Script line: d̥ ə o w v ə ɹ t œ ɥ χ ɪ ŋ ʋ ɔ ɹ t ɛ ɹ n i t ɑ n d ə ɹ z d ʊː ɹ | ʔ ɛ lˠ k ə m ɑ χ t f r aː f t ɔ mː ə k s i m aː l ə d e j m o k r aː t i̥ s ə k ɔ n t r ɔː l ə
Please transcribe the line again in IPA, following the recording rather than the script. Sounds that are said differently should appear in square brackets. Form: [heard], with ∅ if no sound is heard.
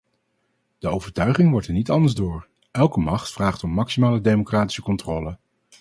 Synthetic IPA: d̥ ə o w v ə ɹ t œ ɥ χ ɪ ŋ ʋ ɔ ɹ t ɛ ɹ n i t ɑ n d ə ɹ z d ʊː ɹ | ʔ ɛ lˠ k ə m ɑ χ t f r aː [χ] t ɔ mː [ɑ] k s i m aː l ə d e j m o k r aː t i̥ s ə k ɔ n t r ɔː l ə

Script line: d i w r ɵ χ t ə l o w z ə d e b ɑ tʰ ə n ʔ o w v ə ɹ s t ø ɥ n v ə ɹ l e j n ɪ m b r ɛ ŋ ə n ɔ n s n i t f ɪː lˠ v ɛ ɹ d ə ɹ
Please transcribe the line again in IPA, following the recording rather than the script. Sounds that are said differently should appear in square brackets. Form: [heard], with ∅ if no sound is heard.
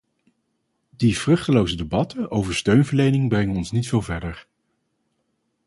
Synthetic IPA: d i [v] r ɵ χ t ə l o w z ə d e b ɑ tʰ ə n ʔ o w v ə ɹ s t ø ɥ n v ə ɹ l e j n ɪ [ŋ] b r ɛ ŋ ə n ɔ n s n i t f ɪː lˠ v ɛ ɹ d ə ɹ

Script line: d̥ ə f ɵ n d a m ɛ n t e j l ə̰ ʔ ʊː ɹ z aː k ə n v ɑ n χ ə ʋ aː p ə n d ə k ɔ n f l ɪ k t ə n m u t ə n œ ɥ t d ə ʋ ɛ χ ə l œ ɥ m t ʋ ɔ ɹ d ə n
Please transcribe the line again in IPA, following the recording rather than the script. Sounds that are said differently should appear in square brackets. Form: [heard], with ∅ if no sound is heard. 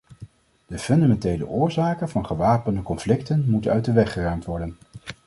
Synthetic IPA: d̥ ə f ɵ n d a m ɛ n t e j l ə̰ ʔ ʊː ɹ z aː k ə n v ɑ n χ ə ʋ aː p ə n d ə k ɔ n f l ɪ k t ə n m u t ə n œ ɥ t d ə ʋ ɛ χ ə [r] œ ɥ m t ʋ ɔ ɹ d ə n

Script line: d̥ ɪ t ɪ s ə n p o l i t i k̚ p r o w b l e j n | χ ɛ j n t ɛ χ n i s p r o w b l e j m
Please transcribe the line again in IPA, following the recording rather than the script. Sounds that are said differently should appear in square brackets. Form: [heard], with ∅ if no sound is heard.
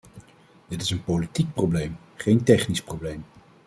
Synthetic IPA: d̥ ɪ t ɪ s ə n p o l i t i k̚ p r o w b l e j [m] | χ [e] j n t ɛ χ n i s p r o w b l e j m

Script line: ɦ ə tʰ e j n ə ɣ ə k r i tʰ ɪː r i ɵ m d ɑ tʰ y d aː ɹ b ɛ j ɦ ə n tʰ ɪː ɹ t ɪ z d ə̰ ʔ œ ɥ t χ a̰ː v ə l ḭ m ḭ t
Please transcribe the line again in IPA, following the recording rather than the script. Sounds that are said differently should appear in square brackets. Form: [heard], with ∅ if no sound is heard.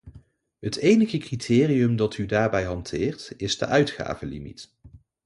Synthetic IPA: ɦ ə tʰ e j n ə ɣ ə k r i tʰ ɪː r i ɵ m d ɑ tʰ y d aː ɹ b ɛ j ɦ [ɑ] n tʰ ɪː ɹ t ɪ z d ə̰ ʔ œ ɥ t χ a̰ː v ə l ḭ m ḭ t

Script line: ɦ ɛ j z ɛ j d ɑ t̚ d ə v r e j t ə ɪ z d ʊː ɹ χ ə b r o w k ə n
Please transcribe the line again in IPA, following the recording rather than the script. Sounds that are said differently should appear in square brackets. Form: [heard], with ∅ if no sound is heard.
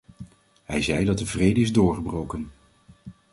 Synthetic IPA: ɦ ɛ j z ɛ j d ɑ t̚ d ə v r e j [d] ə ɪ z d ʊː ɹ χ ə b r o w k ə n

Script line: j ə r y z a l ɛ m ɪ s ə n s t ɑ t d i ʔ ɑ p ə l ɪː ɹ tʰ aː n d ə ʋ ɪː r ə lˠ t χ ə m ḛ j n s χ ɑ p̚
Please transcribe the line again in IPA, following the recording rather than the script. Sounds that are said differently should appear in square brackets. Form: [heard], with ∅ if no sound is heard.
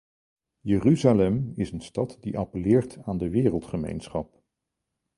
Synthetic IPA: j ə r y z a l ɛ m ɪ s ə n s t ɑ t d i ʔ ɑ p ə l ɪː ɹ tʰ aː n d ə ʋ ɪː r ə lˠ t χ ə m ḛ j n s χ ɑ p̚

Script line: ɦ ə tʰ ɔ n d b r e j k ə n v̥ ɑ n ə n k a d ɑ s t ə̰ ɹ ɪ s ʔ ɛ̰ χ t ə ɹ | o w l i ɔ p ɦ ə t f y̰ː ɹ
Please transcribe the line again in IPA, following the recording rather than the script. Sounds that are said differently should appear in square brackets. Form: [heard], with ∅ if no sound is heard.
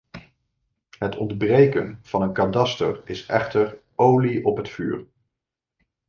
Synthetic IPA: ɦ ə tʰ ɔ n d b r e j k ə n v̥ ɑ n ə n k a d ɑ s t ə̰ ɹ ɪ s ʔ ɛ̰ χ t ə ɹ | o w l i ɔ p ɦ ə t f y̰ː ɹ

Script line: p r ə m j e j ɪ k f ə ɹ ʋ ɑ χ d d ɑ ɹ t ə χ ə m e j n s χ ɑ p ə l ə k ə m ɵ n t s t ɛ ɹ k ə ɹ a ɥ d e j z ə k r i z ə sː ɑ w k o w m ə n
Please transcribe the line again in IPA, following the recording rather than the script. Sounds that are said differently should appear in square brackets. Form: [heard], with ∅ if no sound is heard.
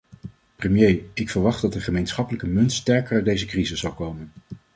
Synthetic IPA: p r ə m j e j ɪ k f ə ɹ ʋ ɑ χ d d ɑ [∅] t ə χ ə m e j n s χ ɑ p ə l ə k ə m ɵ n t s t ɛ ɹ k ə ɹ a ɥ d e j z ə k r i z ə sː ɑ w k o w m ə n

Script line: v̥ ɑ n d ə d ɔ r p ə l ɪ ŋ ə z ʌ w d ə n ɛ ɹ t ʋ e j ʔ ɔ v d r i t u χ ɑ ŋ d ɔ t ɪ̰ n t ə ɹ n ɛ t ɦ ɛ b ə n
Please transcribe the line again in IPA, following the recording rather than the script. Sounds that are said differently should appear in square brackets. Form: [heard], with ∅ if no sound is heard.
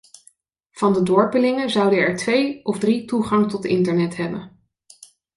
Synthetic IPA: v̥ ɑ n d ə d ɔ [ɹ] p ə l ɪ ŋ ə z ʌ w d ə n ɛ ɹ t ʋ e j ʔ ɔ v d r i t u χ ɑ ŋ [t] ɔ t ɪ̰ n t ə ɹ n ɛ t ɦ ɛ b ə n

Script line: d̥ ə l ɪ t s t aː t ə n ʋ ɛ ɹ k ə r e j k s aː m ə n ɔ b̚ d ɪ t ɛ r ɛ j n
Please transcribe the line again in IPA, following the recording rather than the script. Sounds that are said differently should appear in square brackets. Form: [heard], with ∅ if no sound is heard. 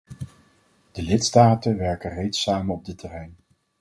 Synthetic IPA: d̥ ə l ɪ t s t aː t ə n ʋ ɛ ɹ k ə r e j [t] s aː m ə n ɔ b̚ d ɪ t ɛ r ɛ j n

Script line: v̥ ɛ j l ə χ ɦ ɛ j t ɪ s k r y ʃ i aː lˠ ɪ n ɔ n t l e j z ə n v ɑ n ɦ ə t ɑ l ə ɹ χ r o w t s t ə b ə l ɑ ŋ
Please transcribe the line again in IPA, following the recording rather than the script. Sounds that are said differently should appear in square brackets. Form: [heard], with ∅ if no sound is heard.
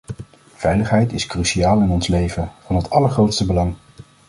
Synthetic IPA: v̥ ɛ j l ə χ ɦ ɛ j t ɪ s k r y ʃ i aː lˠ ɪ n ɔ n [s] l e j [v] ə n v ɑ n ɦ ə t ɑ l ə ɹ χ r o w t s t ə b ə l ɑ ŋ

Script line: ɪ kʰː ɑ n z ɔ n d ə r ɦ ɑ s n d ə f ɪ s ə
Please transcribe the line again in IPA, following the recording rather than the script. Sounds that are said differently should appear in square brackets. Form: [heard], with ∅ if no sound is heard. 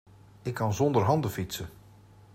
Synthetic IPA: ɪ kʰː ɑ n z ɔ n d ə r ɦ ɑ [∅] n d ə f [i] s ə

